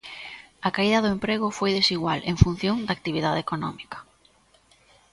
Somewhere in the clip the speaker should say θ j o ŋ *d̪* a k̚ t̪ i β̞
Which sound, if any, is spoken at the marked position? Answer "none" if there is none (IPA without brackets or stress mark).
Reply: d̪